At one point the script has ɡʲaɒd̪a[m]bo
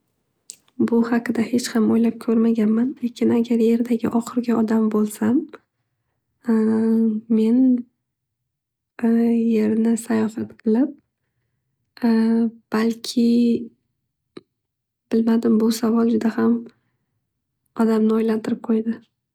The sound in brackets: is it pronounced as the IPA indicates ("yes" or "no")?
yes